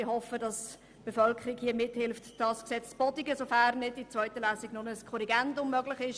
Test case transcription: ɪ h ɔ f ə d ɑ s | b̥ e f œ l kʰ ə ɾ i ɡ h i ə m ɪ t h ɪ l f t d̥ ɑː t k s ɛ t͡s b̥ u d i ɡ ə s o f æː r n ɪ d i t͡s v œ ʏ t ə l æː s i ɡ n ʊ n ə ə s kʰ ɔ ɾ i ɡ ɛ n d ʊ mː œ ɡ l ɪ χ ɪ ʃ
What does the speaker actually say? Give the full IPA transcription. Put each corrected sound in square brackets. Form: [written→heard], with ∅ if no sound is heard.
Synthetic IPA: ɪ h ɔ f ə d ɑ s | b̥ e f œ l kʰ ə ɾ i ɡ h i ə m ɪ t h ɪ l f t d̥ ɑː [t→s] k s ɛ t͡s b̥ [u→ɔ] d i ɡ ə s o f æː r n ɪ d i t͡s v œ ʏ t ə l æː s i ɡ n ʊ n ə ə s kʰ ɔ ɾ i ɡ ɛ n d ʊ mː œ ɡ l ɪ χ ɪ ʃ